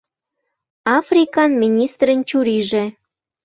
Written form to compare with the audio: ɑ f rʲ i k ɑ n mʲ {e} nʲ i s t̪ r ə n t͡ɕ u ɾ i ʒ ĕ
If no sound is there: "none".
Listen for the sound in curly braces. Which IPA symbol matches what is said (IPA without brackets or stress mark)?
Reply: i